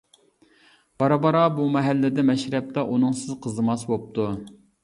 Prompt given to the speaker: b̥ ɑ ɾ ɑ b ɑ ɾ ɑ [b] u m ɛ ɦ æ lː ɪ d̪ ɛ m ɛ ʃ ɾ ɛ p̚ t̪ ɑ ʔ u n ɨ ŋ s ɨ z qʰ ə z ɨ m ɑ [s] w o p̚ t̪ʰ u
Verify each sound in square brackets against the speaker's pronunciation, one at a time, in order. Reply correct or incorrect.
correct, correct

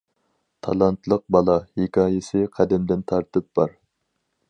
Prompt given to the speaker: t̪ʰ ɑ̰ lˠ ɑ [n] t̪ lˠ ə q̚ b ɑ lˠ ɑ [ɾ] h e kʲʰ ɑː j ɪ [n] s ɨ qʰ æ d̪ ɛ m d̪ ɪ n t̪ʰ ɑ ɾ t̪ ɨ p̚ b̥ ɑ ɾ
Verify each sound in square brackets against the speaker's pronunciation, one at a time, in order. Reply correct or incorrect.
correct, incorrect: none, incorrect: none

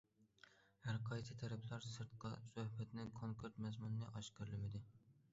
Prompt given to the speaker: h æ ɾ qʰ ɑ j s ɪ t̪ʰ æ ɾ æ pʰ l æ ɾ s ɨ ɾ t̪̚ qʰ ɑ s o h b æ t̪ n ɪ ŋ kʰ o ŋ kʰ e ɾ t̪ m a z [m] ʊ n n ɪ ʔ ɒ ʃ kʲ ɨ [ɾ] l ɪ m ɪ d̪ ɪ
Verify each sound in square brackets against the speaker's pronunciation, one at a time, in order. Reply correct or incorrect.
correct, correct

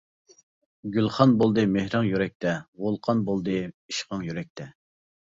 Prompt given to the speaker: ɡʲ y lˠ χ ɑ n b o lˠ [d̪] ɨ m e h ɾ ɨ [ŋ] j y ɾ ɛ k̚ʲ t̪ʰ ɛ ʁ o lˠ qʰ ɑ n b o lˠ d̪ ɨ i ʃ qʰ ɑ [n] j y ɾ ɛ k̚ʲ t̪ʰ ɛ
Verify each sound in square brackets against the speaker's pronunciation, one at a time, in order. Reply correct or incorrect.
correct, correct, incorrect: ŋ

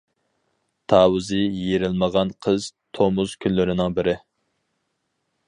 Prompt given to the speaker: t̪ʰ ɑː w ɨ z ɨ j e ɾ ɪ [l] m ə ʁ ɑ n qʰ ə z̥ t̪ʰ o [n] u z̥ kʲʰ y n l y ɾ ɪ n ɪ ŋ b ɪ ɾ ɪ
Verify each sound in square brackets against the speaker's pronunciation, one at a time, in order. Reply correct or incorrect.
correct, incorrect: m

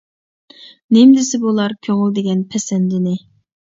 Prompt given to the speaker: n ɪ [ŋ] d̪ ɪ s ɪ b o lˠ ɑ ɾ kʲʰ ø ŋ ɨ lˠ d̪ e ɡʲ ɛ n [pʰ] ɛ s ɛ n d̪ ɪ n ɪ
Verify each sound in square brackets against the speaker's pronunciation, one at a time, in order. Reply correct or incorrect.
incorrect: m, correct

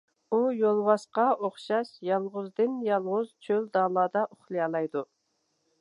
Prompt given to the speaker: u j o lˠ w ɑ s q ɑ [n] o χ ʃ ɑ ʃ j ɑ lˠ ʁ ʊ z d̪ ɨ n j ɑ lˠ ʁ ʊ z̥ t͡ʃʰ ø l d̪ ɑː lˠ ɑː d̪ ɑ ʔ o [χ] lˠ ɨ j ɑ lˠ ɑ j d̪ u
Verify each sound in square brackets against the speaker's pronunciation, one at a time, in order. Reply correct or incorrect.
incorrect: none, correct

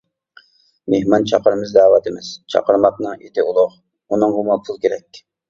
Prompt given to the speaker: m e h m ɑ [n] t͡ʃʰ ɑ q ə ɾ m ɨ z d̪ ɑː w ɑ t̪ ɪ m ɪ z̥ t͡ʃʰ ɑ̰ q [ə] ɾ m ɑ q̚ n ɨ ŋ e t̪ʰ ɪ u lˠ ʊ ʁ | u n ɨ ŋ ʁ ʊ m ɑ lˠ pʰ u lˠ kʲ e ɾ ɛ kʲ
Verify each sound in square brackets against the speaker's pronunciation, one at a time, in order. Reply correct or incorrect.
correct, correct

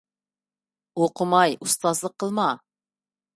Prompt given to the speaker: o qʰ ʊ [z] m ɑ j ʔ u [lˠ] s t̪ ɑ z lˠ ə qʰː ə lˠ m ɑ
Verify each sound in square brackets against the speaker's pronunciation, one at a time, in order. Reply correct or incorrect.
incorrect: none, incorrect: none

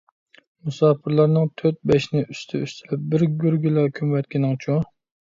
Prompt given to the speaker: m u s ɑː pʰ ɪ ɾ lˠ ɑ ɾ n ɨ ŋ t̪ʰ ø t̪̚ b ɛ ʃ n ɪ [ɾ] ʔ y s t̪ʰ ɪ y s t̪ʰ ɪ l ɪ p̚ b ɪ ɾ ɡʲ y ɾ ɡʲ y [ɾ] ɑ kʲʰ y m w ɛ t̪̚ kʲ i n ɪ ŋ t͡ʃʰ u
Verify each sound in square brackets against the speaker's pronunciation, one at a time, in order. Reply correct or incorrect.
incorrect: none, incorrect: l

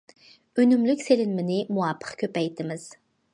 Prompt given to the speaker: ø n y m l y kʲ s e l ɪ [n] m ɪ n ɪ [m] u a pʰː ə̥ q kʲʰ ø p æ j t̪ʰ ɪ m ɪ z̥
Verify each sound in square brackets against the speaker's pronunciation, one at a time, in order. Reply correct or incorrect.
correct, correct

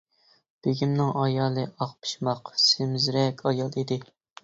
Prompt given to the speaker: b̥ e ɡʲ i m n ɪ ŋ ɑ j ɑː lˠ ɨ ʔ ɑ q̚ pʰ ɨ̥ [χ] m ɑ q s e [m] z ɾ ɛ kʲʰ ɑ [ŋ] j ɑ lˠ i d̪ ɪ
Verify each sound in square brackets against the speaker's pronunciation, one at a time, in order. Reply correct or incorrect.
incorrect: ʃ, correct, incorrect: none

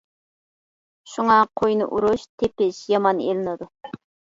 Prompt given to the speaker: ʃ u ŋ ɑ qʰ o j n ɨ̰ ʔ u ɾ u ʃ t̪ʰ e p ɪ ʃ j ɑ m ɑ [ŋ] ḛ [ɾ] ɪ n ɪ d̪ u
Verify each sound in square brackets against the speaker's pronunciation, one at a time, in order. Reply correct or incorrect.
incorrect: n, incorrect: l

